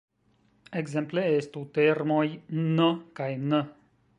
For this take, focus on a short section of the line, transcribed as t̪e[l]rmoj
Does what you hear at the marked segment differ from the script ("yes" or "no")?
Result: yes